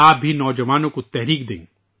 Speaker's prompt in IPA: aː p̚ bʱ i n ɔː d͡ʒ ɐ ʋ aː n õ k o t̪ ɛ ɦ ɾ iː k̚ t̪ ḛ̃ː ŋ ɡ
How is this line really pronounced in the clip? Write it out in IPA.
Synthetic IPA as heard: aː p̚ bʱ i n ɔː d͡ʒ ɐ ʋ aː n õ k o t̪ ɛ ɦ ɾ iː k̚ d̪ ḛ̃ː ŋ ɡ